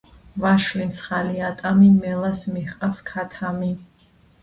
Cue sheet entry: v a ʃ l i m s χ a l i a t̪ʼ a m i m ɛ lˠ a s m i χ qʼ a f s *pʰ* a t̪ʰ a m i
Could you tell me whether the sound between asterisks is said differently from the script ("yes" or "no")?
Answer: yes